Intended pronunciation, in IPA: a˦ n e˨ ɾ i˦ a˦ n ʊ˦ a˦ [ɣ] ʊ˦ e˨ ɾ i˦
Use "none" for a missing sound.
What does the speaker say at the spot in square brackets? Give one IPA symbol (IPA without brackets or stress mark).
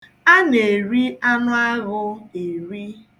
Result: ɣ